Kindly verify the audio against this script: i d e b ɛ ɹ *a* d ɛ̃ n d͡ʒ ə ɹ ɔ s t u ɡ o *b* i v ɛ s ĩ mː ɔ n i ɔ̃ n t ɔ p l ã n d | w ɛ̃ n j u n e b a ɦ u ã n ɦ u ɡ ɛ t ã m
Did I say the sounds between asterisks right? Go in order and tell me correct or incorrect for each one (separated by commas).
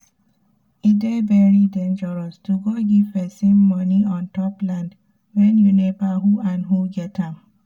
incorrect, incorrect